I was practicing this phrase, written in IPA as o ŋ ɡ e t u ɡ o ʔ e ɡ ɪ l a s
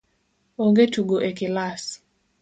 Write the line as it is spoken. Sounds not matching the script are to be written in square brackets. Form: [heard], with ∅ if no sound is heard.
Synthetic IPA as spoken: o ŋ ɡ e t u ɡ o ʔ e [k] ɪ l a s